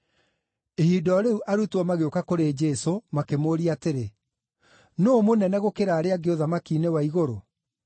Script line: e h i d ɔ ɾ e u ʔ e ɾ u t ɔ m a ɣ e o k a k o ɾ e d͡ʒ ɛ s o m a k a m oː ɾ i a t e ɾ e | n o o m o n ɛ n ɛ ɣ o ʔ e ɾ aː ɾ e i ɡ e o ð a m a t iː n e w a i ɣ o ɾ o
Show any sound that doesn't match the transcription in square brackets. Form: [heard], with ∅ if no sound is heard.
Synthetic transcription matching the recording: e h i d ɔ ɾ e u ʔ [a] ɾ u t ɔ m a ɣ e o k a k o ɾ e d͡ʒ ɛ s o m a k [e] m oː ɾ i a t e ɾ e | n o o m o n ɛ n ɛ ɣ o [k] e ɾ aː ɾ e [a] ɡ e o ð a m a [k] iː n e w a i ɣ o ɾ o